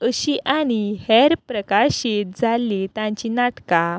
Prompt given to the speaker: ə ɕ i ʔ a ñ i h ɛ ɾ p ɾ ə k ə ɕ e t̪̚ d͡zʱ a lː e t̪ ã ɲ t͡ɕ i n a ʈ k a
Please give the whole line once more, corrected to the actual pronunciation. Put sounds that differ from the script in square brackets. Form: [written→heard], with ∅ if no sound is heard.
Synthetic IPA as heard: ə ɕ i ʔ a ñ i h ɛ ɾ p ɾ ə k [ə→a] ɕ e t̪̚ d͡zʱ a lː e t̪ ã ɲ t͡ɕ i n a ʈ k a